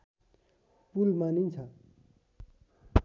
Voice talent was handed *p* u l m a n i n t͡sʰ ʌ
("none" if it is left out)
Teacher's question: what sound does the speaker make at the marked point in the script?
p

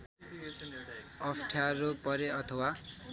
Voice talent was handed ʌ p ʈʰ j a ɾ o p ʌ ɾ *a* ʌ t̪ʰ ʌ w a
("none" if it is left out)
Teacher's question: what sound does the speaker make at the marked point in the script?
e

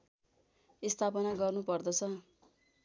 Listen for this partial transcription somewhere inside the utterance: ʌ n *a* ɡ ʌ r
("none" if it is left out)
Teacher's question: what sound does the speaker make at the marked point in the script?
a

